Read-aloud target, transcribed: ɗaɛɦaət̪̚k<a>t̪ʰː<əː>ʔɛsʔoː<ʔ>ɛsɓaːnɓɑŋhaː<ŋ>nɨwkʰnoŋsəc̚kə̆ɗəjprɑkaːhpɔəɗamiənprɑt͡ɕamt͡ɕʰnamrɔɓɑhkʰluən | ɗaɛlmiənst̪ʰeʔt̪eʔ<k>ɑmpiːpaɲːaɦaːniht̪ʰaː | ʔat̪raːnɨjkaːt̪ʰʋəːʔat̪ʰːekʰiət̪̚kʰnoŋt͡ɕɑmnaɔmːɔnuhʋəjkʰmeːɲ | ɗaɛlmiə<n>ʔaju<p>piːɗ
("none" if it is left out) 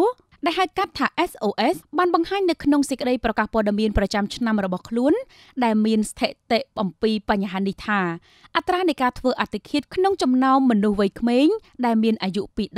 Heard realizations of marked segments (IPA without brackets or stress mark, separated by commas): a, aː, ʔ, ɲ, ʔ, n, ʔ